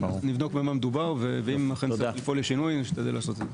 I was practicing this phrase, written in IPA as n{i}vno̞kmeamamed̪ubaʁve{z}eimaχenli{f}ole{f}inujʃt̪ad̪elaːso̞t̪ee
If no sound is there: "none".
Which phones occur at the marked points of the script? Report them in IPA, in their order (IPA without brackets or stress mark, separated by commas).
i, v, f, ʃ